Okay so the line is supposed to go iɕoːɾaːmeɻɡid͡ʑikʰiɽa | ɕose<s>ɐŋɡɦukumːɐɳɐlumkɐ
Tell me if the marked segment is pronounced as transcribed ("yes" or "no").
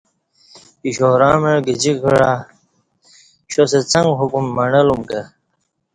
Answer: no